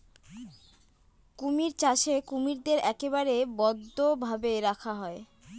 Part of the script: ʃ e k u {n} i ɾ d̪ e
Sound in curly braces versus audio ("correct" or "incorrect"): incorrect